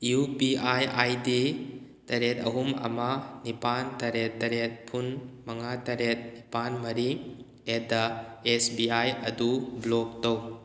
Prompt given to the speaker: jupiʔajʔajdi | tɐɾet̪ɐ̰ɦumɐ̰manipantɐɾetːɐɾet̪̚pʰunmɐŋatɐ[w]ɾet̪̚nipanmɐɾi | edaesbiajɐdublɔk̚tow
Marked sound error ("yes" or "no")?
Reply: yes